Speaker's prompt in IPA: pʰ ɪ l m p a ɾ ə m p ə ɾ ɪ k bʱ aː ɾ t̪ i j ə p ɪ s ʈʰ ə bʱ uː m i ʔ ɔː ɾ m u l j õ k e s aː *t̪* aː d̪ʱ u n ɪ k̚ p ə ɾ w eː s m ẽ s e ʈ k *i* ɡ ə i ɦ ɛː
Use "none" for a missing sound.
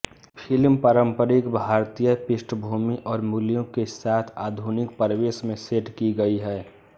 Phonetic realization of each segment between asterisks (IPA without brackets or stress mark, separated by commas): t̪ʰ, i